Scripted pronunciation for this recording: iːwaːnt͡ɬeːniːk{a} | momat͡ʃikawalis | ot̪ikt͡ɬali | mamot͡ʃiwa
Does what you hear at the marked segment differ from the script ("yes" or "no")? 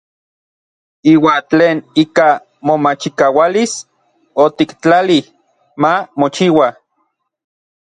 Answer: no